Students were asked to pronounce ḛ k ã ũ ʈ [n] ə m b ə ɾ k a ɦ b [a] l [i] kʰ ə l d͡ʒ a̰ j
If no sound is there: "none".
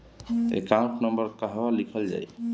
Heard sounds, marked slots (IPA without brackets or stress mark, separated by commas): n, a, i